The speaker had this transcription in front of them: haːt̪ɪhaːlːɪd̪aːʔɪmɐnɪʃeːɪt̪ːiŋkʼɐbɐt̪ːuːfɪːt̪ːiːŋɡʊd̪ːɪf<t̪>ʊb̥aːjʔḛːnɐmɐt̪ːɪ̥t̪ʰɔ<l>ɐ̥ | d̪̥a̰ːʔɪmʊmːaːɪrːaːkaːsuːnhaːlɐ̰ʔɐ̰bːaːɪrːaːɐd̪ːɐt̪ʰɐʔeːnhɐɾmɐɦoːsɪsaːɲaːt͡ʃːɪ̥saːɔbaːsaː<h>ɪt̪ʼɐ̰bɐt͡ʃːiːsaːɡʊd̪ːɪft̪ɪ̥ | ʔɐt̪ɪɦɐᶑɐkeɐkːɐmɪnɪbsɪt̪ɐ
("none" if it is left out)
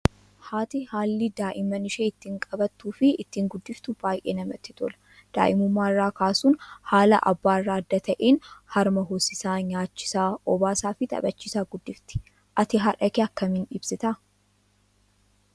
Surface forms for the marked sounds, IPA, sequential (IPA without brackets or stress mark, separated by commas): t̪, l, f